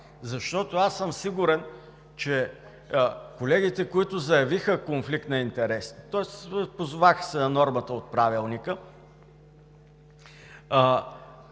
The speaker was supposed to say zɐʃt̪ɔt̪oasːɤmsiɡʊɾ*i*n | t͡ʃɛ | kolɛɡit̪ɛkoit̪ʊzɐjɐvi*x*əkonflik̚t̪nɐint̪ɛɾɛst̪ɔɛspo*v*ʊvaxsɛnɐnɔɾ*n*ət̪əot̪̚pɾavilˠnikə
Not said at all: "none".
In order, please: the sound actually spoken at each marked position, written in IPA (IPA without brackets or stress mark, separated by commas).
ɛ, x, z, m